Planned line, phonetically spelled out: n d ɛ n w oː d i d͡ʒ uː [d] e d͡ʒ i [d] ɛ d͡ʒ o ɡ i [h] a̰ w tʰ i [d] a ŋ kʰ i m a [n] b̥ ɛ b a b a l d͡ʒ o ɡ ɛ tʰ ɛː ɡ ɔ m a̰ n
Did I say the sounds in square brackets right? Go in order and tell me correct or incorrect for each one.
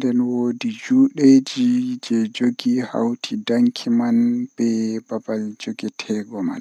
incorrect: ɗ, incorrect: d͡ʒ, correct, correct, correct

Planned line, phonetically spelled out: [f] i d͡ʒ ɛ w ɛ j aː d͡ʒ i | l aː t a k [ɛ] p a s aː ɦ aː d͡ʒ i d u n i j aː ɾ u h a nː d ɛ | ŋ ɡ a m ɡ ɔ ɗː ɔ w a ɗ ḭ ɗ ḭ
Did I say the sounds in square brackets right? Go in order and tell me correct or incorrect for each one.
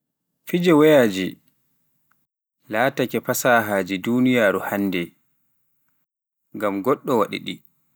correct, correct

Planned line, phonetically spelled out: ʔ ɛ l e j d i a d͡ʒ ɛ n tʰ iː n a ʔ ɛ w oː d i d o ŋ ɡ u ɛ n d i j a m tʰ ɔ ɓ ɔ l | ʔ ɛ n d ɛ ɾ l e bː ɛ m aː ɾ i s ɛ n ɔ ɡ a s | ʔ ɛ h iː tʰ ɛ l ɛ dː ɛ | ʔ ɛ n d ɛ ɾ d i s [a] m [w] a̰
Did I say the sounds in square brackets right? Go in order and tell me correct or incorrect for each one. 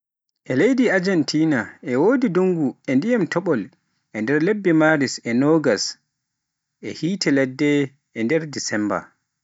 incorrect: ɛ, incorrect: b

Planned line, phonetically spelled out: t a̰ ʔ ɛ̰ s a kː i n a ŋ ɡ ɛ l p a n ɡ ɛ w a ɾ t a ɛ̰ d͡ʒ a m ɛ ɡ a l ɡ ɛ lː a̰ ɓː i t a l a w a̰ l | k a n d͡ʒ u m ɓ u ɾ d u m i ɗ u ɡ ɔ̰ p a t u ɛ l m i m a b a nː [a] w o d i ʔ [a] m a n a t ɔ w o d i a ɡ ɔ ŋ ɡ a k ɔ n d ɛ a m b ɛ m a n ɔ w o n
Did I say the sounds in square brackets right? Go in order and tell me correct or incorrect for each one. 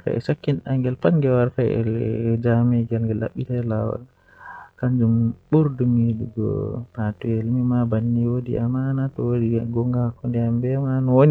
incorrect: i, correct

